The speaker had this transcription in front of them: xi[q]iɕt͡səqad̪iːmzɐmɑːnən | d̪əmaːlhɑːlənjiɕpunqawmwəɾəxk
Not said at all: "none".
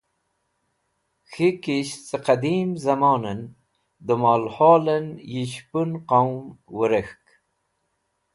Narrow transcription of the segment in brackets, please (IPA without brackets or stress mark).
k